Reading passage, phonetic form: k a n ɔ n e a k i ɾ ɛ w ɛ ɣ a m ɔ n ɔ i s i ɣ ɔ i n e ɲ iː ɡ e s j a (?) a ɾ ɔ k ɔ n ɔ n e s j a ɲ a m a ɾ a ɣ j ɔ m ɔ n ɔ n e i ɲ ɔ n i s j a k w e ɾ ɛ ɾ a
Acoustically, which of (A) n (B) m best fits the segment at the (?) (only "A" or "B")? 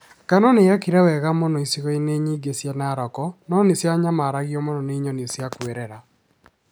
A